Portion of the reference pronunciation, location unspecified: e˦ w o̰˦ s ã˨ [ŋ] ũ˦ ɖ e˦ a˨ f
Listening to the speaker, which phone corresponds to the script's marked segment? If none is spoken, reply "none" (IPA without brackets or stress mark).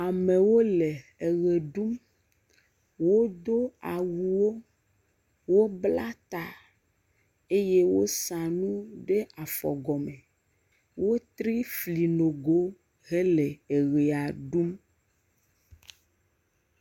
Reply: n